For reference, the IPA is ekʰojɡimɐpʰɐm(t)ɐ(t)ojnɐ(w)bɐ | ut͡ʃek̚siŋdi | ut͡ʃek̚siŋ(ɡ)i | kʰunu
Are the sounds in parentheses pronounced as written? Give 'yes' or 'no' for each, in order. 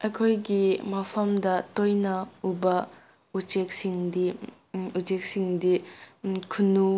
no, yes, no, no

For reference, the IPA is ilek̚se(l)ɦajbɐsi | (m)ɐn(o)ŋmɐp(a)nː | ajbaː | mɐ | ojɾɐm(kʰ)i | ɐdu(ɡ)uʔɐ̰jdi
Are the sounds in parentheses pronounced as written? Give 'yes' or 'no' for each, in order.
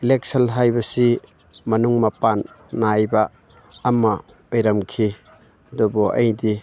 yes, yes, no, yes, yes, no

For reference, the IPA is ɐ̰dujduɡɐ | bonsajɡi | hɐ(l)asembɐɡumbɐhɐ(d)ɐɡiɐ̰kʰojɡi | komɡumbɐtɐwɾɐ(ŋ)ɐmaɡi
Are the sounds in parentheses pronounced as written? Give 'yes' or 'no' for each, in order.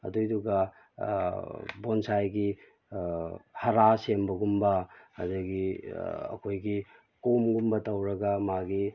no, yes, no

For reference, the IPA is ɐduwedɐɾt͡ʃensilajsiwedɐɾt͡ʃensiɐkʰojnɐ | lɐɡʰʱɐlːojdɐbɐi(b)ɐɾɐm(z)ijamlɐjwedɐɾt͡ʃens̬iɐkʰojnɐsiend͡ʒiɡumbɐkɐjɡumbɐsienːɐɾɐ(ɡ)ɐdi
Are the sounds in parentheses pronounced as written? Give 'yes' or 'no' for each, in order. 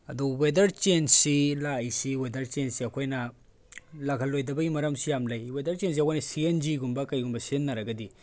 no, no, yes

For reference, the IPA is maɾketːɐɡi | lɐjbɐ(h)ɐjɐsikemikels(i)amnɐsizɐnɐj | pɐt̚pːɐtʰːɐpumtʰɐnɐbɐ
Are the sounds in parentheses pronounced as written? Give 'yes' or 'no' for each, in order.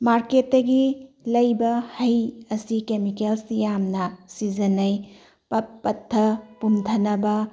yes, no

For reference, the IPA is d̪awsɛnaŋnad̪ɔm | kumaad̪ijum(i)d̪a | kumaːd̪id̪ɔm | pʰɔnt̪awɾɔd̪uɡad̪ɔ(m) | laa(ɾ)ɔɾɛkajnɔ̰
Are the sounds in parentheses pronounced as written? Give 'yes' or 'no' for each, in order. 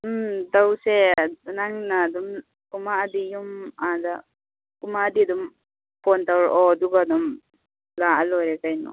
no, yes, no

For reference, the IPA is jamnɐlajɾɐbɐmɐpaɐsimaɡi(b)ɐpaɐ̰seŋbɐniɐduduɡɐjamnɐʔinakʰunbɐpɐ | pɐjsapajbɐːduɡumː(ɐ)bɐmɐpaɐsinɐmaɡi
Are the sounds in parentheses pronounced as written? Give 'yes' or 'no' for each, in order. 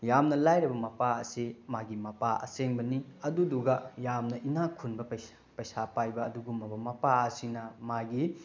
no, yes

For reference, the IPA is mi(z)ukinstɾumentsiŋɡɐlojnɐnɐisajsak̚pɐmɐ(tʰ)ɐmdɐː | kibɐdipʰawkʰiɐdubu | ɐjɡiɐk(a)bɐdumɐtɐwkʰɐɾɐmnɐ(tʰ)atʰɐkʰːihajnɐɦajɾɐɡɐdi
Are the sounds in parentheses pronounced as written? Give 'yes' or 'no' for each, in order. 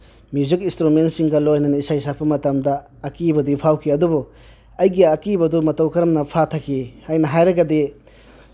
yes, no, no, no

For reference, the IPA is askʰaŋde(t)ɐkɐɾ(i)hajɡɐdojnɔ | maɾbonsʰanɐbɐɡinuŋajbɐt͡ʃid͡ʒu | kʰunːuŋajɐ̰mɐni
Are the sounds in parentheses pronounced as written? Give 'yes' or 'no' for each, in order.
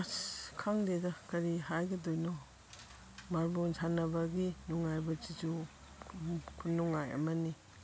no, yes

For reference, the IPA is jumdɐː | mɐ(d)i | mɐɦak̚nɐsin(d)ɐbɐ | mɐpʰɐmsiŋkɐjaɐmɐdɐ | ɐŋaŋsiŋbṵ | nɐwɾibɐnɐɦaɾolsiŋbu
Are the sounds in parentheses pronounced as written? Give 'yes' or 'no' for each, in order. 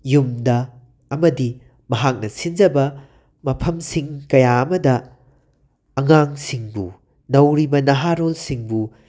yes, no

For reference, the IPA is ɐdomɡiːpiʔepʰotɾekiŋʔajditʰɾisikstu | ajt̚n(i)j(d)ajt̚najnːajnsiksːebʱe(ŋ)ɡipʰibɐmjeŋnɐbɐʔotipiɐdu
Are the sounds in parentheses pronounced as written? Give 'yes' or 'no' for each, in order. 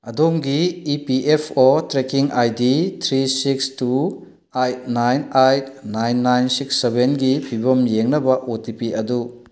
no, no, no

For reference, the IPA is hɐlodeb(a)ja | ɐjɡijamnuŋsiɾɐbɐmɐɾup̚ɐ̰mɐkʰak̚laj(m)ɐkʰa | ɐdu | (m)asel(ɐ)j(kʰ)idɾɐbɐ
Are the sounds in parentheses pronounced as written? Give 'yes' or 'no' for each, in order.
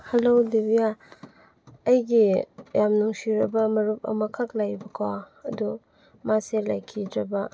no, no, yes, no, yes

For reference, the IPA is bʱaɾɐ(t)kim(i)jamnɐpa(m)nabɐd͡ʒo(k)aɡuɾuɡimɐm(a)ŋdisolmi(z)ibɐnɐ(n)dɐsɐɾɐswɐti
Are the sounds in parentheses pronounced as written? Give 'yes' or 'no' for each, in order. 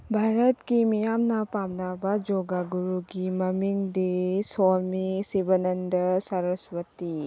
yes, yes, yes, no, no, no, yes

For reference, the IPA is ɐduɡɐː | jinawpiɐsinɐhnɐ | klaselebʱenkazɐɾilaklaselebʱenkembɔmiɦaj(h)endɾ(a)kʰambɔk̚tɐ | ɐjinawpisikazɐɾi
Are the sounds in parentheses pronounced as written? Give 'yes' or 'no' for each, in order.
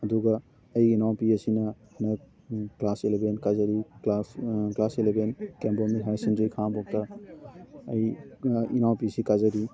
no, no

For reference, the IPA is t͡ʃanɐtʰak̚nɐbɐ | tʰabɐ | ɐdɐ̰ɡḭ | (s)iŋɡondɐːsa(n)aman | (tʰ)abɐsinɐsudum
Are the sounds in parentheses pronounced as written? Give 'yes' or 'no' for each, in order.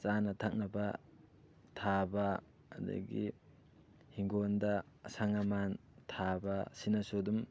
no, no, yes

